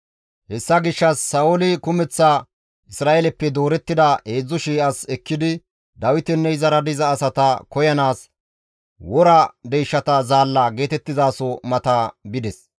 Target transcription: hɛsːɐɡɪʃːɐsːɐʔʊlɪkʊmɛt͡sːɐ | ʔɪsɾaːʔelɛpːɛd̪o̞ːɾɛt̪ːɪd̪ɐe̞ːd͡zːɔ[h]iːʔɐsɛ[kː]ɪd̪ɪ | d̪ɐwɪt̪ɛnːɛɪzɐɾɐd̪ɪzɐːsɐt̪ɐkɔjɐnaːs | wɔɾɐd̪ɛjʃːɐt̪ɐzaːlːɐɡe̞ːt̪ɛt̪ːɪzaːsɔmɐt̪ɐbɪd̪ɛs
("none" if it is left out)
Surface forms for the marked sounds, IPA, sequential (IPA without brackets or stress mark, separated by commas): ʃ, kː